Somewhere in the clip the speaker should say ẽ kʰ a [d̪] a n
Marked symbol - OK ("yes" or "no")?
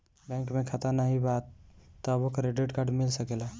no